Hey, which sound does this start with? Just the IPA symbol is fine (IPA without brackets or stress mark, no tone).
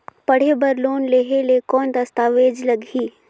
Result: p